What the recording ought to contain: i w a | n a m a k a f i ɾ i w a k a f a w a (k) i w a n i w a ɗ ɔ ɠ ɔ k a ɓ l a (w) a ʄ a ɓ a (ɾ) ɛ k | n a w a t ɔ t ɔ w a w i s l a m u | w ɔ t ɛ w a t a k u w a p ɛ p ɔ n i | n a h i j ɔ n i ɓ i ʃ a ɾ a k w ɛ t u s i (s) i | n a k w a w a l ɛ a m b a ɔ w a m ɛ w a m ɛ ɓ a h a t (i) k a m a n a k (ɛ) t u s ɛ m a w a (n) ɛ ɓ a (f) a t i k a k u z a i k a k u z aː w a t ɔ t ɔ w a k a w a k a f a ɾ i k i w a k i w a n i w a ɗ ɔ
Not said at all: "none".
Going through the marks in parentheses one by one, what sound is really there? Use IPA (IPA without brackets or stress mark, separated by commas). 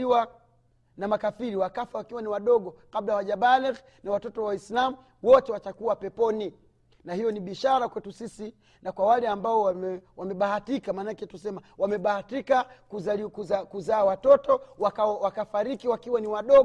k, w, l, s, i, ɛ, m, h